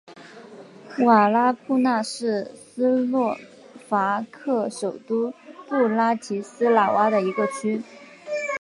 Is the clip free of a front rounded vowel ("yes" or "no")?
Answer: no